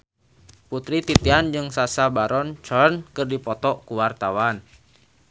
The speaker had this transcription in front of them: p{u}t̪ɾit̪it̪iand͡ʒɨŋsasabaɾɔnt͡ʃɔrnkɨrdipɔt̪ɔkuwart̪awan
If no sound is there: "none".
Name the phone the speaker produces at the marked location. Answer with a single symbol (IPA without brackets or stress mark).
u